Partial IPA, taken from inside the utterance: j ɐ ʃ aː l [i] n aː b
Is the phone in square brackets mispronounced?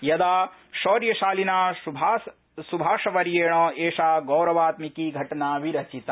no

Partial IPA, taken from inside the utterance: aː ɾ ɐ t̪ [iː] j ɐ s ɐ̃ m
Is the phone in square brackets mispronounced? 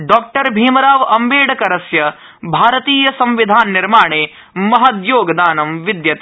no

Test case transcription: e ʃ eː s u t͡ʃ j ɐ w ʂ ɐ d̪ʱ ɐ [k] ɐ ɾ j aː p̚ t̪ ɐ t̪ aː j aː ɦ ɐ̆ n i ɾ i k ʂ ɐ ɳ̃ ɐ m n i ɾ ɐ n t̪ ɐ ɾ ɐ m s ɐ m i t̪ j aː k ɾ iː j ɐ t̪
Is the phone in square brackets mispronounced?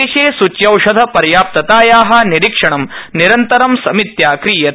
yes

